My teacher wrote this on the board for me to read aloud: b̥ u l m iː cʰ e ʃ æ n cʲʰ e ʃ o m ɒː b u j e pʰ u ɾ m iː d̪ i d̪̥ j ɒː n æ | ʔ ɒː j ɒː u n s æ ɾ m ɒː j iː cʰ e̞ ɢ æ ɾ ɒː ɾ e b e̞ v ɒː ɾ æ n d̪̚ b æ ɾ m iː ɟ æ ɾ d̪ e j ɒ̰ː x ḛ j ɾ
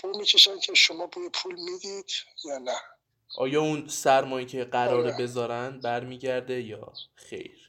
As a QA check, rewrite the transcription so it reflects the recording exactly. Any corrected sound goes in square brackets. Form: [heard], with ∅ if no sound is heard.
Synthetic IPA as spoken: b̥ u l m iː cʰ e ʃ æ n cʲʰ e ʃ o m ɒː b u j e pʰ u [l] m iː d̪ i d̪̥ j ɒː n æ | ʔ ɒː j ɒː u n s æ ɾ m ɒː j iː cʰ e̞ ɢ æ ɾ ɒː ɾ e b e̞ [z] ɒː ɾ æ n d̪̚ b æ ɾ m iː ɟ æ ɾ d̪ e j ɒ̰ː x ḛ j ɾ